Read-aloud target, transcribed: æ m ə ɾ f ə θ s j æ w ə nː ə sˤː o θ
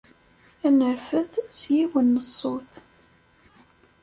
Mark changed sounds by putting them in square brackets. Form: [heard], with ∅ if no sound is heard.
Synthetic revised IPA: æ [n] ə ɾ f ə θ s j [i] w ə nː ə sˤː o θ